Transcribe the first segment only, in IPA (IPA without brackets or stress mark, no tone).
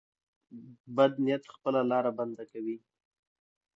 b